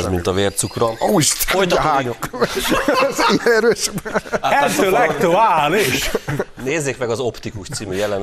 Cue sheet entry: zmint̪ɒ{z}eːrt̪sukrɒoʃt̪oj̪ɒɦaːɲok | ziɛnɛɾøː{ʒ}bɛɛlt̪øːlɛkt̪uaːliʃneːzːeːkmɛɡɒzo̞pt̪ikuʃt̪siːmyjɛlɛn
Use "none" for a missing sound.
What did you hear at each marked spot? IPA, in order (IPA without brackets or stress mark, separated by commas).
v, ʃ